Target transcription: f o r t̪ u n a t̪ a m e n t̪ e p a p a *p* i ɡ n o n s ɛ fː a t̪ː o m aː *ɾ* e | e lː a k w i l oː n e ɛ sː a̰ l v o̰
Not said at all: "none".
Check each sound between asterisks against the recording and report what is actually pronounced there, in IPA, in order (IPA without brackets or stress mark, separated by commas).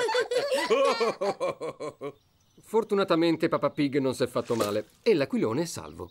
p, l